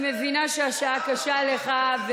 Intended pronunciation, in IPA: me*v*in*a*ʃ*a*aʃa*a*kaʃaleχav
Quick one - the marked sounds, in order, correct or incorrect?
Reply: correct, correct, incorrect: e, correct

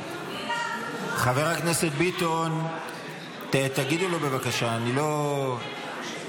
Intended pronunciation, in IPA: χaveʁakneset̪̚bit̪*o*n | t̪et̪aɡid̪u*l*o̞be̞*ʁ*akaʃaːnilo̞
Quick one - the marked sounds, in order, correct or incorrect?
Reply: correct, correct, incorrect: v

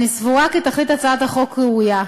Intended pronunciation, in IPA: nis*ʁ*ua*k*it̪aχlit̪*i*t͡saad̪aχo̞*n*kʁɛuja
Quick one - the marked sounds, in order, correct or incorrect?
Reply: incorrect: v, correct, incorrect: a, incorrect: none

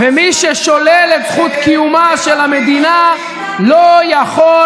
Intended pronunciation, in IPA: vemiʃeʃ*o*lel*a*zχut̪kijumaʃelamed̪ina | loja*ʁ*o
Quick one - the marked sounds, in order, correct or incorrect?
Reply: correct, incorrect: e, incorrect: χ

